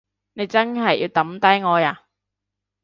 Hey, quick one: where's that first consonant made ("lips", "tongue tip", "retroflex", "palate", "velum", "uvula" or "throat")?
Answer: tongue tip